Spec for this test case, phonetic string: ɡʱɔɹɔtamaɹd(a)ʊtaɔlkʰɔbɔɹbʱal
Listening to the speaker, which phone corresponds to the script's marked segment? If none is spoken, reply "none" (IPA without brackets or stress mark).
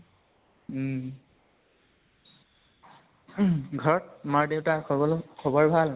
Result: e